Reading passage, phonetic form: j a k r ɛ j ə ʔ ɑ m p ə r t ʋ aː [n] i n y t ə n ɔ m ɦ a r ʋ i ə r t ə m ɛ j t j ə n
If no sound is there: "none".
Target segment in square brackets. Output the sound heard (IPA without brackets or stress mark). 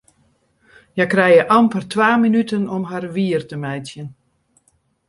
m